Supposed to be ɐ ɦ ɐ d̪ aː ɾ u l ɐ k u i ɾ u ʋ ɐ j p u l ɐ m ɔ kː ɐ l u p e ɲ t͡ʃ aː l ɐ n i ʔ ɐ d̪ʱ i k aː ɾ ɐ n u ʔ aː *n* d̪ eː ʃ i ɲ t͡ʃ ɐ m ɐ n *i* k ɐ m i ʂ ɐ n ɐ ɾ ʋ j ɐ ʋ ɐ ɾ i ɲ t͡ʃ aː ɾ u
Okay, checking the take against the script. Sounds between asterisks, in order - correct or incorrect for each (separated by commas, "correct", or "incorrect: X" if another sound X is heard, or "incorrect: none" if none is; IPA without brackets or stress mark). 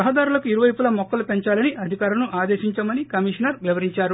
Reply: incorrect: none, correct